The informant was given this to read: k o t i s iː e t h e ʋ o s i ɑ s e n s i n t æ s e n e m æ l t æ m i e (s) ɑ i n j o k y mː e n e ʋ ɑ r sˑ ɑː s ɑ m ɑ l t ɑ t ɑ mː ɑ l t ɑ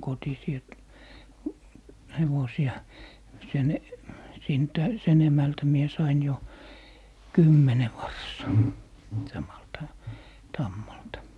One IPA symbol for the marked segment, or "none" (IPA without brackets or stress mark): s